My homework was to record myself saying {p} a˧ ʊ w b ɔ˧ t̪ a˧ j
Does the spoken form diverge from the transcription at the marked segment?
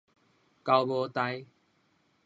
yes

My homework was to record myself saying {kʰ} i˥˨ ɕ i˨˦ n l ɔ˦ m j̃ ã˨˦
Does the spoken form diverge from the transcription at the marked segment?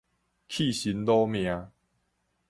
no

